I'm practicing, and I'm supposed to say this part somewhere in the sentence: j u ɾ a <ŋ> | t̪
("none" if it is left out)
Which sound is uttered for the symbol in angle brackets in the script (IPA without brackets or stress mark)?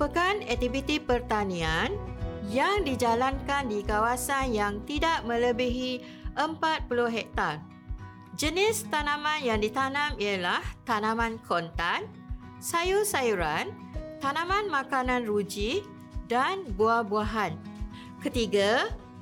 n